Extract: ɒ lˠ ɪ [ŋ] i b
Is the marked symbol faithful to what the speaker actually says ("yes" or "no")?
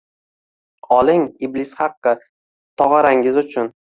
yes